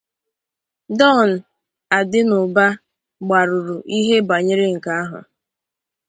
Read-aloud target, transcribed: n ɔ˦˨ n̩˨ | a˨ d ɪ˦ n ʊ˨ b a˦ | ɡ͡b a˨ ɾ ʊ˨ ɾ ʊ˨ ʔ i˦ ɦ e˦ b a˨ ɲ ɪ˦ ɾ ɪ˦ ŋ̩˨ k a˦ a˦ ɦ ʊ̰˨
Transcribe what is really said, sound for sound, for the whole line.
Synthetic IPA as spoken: d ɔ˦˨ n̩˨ | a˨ d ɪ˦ n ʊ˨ b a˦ | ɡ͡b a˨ ɾ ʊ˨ ɾ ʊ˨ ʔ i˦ ɦ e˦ b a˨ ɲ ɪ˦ ɾ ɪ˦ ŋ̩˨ k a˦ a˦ ɦ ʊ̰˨

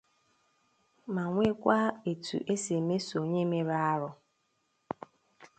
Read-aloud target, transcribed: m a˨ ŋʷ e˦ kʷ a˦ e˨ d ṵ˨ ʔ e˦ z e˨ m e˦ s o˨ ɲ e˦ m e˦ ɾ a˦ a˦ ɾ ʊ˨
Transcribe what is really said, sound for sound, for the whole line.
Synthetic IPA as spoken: m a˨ ŋʷ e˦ kʷ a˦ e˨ t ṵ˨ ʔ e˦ s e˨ m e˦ s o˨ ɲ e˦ m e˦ ɾ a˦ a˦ ɾ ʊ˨

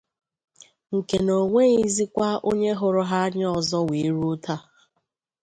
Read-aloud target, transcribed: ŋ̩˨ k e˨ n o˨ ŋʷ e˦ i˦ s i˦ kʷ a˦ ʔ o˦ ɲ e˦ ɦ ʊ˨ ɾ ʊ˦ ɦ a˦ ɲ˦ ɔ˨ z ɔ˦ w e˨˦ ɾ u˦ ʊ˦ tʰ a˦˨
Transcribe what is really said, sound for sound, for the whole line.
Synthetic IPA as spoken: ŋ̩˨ k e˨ n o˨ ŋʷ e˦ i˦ z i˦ kʷ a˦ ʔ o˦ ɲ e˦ ɦ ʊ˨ ɾ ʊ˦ ɦ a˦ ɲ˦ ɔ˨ z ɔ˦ w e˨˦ ɾ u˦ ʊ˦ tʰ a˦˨

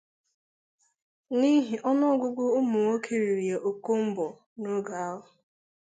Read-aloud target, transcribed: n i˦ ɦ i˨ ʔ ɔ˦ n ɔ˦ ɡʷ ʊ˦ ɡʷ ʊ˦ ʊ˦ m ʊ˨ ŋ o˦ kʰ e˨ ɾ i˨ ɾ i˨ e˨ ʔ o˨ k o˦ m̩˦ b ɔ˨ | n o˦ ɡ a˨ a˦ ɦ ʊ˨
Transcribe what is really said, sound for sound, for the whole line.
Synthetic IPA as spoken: n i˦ ɦ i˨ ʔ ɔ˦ n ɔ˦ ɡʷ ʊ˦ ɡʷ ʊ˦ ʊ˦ m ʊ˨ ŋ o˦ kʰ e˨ ɾ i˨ ɾ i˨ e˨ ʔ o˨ k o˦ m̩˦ b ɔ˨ | n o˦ ɡ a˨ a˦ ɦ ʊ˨

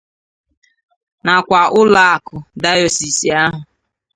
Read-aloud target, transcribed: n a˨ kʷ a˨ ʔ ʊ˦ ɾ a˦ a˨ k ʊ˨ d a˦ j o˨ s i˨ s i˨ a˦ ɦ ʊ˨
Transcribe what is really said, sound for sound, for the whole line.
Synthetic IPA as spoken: n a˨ kʷ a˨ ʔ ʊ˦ l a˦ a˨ k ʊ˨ d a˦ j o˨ s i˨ s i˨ a˦ ɦ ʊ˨

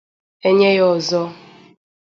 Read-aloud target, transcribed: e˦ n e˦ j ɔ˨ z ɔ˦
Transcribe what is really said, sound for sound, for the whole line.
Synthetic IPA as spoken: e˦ ɲ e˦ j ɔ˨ z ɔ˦

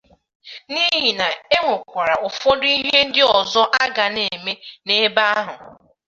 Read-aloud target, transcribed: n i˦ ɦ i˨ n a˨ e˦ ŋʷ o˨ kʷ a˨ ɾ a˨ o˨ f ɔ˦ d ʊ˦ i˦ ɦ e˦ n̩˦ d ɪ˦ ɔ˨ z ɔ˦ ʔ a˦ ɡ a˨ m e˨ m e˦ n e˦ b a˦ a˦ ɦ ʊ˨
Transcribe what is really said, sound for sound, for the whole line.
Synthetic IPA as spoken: n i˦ ɦ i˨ n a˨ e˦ ŋʷ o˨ kʷ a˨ ɾ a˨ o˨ f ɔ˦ d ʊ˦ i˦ ɦ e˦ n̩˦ d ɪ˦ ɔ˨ z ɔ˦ ʔ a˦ ɡ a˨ n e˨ m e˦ n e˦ b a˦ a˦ ɦ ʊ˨

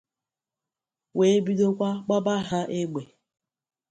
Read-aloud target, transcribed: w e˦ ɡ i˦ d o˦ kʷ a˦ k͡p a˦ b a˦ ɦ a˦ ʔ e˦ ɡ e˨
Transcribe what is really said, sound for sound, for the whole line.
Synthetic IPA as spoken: w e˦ b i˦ d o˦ kʷ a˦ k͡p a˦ b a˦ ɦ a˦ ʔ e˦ ɡ͡b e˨

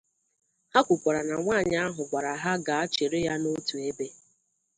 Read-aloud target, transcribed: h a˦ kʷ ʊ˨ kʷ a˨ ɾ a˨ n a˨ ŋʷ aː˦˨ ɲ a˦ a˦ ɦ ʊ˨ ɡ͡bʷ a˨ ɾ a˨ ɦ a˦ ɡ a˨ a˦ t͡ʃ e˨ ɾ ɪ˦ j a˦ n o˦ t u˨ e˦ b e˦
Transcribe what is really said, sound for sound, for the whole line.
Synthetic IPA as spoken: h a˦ kʷ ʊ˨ kʷ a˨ ɾ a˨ n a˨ ŋʷ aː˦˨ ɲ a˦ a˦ ɦ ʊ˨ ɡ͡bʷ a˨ ɾ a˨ ɦ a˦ ɡ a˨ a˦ t͡ʃ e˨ ɾ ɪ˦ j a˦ n o˦ t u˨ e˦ b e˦

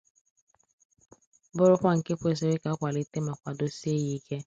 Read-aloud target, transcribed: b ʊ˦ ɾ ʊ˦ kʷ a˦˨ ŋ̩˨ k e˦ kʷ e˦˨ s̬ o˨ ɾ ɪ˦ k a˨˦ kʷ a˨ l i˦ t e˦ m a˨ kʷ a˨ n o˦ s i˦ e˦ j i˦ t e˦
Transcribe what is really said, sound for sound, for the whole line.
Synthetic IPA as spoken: b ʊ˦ ɾ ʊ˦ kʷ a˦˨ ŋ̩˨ k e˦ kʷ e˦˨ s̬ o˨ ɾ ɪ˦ k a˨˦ kʷ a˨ l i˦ t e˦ m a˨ kʷ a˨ d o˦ s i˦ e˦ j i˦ k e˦

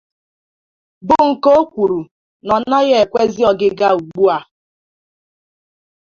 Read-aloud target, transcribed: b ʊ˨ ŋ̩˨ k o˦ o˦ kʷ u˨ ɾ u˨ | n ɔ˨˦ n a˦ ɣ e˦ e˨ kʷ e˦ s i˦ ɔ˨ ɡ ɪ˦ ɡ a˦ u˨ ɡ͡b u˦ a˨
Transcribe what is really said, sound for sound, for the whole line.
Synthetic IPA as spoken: b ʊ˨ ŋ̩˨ k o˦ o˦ kʷ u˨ ɾ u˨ | n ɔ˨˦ n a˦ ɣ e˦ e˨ kʷ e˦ z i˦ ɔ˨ ɡ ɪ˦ ɡ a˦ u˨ ɡ͡b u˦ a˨

